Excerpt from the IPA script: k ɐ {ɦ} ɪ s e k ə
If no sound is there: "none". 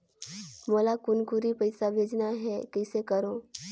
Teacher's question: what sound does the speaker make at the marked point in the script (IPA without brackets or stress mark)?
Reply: none